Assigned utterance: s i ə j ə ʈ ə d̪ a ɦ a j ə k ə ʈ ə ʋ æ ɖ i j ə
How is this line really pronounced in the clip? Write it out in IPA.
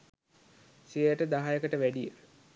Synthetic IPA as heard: s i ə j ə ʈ ə d̪ a ɦ a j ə k ə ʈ ə ʋ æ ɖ i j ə